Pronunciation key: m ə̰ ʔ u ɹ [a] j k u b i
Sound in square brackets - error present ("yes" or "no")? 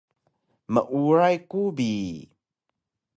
no